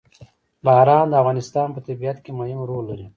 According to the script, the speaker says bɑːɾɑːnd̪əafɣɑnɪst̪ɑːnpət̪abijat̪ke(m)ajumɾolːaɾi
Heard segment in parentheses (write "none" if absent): m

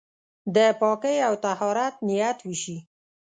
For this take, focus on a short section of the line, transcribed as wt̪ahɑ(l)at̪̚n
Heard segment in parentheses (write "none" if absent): ɾ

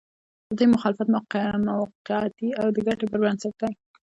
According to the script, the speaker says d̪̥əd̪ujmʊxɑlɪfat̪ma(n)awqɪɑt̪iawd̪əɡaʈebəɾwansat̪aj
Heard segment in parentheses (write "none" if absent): m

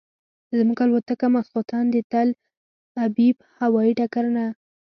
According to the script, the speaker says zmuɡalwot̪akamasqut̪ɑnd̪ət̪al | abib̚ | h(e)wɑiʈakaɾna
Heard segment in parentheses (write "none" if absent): a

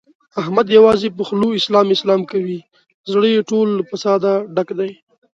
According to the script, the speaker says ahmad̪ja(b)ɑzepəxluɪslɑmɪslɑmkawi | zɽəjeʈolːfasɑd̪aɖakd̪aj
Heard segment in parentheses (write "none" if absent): w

